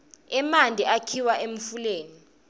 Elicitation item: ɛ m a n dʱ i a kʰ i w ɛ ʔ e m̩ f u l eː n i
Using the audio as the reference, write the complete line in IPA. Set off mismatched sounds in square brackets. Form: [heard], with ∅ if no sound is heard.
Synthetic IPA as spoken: ɛ m a n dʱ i a kʰ i w [a] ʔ e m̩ f u l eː n i